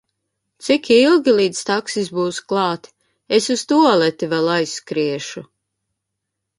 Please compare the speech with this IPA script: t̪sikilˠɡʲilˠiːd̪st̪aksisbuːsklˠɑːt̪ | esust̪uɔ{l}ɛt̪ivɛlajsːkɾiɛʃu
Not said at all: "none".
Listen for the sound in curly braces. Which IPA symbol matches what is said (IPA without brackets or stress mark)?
l